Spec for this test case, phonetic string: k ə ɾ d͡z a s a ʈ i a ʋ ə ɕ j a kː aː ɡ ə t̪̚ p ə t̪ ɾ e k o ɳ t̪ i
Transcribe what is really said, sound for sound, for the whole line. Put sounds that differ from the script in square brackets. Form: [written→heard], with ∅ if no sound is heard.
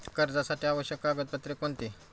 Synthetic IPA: k ə ɾ d͡z a s a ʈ i a ʋ ə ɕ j [a→ə] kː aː ɡ ə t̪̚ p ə t̪ ɾ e k o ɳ t̪ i